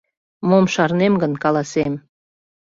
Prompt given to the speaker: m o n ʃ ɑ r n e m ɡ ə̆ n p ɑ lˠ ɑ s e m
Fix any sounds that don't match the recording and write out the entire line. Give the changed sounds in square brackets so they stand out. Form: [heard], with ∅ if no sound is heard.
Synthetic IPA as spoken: m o [m] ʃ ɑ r n e m ɡ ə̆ n [k] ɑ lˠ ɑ s e m